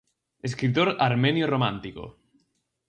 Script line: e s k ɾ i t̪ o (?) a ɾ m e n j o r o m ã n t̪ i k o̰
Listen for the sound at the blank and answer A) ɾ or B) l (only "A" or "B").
A